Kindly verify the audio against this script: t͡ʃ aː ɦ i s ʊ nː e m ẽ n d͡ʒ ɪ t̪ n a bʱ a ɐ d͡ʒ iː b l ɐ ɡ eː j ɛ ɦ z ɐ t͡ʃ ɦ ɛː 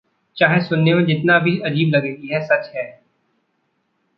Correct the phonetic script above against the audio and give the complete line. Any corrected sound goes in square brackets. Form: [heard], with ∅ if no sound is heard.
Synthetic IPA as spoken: t͡ʃ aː ɦ [e] s ʊ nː e m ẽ [∅] d͡ʒ ɪ t̪ n a bʱ [i] ɐ d͡ʒ iː b l ɐ ɡ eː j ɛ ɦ [s] ɐ t͡ʃ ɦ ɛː